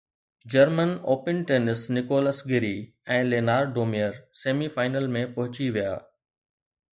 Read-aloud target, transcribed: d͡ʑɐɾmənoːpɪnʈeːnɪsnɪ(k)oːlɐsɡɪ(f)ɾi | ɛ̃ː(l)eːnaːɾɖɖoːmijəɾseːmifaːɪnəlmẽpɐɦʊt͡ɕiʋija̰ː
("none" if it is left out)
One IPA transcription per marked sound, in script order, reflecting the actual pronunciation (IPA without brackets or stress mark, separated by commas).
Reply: k, none, l